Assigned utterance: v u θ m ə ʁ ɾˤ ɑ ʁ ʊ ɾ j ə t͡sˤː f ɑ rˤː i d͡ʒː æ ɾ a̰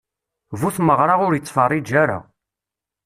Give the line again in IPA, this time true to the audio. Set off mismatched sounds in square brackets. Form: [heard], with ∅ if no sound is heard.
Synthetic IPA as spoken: v u θ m ə ʁ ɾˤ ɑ ʁ ʊ ɾ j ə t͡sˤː f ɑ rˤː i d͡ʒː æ ɾ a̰

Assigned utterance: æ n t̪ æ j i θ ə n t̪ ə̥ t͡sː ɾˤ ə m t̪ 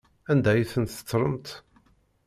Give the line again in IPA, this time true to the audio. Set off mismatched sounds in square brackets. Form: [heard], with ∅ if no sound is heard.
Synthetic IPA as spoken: æ n [d̪] æ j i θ ə n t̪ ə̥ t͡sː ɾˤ ə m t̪

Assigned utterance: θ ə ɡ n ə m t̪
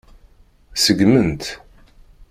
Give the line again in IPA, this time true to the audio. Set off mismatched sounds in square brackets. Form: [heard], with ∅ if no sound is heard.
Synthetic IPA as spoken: [s] ə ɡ [m] ə [n] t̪

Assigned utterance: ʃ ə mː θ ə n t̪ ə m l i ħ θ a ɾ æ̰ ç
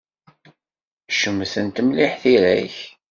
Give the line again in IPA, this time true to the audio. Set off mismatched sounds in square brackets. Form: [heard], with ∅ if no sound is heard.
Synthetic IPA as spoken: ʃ ə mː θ ə n t̪ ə m l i ħ θ [i] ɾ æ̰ ç

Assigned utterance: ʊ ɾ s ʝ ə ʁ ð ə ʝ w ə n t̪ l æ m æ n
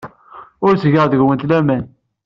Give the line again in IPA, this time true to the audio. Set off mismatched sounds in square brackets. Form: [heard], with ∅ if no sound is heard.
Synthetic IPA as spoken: ʊ ɾ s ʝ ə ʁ ð ə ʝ w ə n t̪ l æ m æ n

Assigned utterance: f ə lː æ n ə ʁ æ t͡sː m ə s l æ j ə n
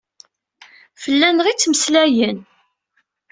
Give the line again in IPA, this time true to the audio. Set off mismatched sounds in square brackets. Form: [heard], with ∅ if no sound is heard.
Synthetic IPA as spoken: f ə lː æ n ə ʁ [i] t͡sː m ə s l æ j ə n

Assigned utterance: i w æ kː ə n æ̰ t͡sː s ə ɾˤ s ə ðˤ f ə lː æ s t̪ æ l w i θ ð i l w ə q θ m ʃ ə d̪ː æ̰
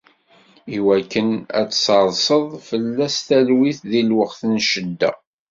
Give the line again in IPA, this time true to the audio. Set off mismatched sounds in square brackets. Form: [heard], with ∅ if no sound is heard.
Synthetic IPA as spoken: i w æ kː ə n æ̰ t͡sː s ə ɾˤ s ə ðˤ f ə lː æ s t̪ æ l w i θ ð i l w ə q θ [n] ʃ ə d̪ː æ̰

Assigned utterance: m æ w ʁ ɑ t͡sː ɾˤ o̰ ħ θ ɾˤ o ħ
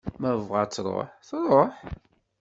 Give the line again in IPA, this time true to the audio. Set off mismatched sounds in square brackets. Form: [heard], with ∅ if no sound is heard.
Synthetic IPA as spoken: m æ [v] ʁ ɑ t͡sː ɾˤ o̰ ħ θ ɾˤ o ħ

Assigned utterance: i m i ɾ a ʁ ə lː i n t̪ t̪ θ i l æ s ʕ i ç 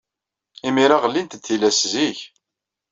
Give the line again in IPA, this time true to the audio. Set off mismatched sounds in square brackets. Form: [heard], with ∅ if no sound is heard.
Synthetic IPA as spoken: i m i ɾ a ʁ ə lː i n t̪ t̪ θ i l æ s [z] i ç

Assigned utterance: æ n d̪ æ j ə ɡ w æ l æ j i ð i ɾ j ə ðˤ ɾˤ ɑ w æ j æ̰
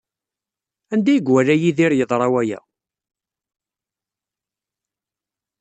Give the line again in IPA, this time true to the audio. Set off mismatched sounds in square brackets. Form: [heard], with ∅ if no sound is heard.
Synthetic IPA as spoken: æ n d̪ æ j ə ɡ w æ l æ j i ð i ɾ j ə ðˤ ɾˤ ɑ w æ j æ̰

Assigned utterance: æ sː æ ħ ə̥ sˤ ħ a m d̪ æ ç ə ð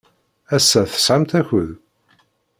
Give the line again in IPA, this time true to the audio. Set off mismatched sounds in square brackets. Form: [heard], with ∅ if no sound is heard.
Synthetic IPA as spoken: æ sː æ [θ] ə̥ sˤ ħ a m [t̪] æ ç ə ð

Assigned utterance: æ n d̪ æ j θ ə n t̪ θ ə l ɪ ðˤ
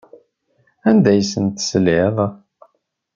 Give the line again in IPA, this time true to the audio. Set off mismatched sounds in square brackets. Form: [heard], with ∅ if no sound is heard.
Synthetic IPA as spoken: æ n d̪ æ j [s] ə n t̪ [s] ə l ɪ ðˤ

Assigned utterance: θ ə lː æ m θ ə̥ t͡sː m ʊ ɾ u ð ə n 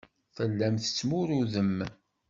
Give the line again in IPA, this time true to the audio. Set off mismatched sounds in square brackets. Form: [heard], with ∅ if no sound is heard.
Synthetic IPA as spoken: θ ə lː æ m θ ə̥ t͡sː m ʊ ɾ u ð ə [m]

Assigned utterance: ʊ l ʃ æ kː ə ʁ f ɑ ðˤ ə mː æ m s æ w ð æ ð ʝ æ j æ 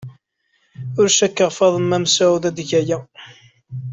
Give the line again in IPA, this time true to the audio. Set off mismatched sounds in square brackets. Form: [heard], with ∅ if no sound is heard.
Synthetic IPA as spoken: ʊ [ɾ] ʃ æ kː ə ʁ f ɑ ðˤ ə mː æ m s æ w ð æ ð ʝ æ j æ

